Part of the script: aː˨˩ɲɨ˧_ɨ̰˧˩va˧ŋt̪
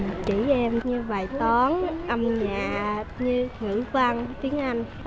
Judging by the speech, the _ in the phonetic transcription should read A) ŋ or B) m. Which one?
A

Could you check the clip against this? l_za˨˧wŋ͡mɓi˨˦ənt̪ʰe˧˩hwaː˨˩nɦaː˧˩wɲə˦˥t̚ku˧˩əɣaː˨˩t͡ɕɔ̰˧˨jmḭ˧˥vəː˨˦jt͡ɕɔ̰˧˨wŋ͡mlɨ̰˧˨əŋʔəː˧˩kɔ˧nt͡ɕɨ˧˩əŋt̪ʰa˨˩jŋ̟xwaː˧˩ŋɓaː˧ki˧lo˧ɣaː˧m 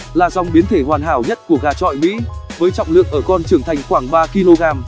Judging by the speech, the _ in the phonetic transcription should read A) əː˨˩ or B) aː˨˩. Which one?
B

